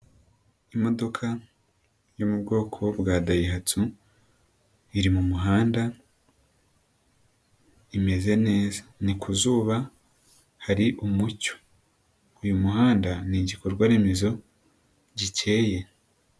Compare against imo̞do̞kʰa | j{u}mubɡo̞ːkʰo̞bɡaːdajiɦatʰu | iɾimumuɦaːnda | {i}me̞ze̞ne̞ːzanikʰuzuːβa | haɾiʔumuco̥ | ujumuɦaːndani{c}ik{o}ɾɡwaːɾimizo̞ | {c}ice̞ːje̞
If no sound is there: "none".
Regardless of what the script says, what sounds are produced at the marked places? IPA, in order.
o, i, ɟ, o, ɟ

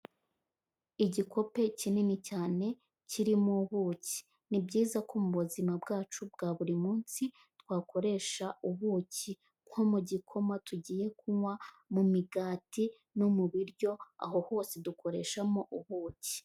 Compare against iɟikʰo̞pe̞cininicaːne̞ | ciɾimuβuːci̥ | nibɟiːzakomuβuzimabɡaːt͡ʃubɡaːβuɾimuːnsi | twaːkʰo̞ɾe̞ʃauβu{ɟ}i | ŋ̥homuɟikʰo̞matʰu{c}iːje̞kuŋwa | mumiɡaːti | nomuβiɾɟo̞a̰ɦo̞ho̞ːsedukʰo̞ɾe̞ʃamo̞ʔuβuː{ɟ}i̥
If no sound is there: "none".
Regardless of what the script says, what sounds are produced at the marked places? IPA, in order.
c, ɟ, c

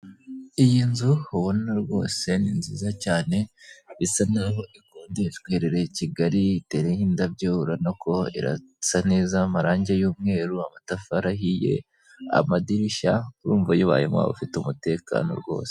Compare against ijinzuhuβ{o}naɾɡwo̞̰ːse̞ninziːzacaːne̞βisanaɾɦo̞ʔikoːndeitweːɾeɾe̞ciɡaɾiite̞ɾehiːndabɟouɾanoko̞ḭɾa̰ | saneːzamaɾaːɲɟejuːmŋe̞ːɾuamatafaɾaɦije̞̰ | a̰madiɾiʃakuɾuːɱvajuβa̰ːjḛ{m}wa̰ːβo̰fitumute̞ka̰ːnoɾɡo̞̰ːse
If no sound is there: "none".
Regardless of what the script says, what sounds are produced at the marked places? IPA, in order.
o, m

